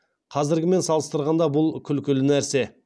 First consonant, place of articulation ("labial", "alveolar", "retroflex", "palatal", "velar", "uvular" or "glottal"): uvular